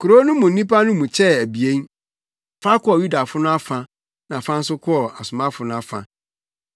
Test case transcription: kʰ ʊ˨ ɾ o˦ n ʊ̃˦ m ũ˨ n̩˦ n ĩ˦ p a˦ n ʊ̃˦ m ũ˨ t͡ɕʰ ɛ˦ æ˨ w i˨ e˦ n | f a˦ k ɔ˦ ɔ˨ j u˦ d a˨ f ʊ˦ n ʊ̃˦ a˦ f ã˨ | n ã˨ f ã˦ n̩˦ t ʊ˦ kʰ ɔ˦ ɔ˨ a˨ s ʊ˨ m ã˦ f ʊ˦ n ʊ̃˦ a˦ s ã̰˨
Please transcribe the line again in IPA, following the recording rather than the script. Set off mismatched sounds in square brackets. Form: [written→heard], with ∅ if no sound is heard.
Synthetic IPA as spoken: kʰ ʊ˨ ɾ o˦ n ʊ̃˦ m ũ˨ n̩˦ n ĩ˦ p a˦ n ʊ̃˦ m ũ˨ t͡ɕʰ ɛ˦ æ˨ [w→b] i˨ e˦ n | f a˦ k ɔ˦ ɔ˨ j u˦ d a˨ f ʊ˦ n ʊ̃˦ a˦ f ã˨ | n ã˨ f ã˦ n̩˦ [t→s] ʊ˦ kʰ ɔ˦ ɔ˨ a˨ s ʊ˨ m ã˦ f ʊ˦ n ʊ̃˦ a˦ [s→f] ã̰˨